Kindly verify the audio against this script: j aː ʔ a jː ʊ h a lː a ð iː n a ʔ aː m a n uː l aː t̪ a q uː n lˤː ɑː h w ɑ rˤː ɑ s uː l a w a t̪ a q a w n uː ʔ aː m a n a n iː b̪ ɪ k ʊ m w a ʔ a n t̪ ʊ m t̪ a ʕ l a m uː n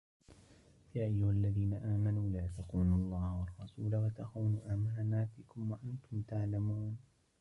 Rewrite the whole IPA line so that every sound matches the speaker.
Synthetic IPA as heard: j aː ʔ a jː ʊ h a lː a ð iː n a ʔ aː m a n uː l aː t̪ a q uː n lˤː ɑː h w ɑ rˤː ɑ s uː l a w a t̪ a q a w n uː ʔ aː m a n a n aː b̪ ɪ k ʊ m w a ʔ a n t̪ ʊ m t̪ a ʕ l a m uː n